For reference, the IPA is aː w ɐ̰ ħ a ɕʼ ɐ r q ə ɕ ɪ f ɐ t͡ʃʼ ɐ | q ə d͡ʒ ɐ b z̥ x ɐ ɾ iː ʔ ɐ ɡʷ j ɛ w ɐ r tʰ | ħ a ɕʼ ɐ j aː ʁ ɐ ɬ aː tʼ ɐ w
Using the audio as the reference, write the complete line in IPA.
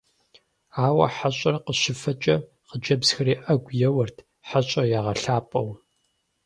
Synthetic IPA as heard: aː w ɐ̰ ħ a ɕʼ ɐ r q ə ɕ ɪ f ɐ t͡ʃʼ ɐ | q ə d͡ʒ ɐ b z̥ x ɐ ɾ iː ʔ ɐ ɡʷ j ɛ w ɐ r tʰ | ħ a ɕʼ ɐ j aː ʁ ɐ ɬ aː pʼ ɐ w